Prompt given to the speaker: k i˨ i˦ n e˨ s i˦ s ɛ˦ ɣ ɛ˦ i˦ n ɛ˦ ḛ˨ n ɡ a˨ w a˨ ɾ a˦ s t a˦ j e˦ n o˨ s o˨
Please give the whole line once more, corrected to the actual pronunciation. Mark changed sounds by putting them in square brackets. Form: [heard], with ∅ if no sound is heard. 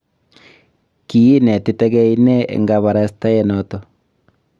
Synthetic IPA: k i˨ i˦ n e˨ [t] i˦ [t] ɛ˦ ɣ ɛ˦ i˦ n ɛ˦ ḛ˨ [ŋ] ɡ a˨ [β] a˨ ɾ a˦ s t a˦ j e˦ n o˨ [t] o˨